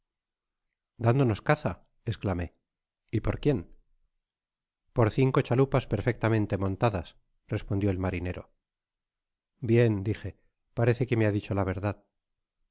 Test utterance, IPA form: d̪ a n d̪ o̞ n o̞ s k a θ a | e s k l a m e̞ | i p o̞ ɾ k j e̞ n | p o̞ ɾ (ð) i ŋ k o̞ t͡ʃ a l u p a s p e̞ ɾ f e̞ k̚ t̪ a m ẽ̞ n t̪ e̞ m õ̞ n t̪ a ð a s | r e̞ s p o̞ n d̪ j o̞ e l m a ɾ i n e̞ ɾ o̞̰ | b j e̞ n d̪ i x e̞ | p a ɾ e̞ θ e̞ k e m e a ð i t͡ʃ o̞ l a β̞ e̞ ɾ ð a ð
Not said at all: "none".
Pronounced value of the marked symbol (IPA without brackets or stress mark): θ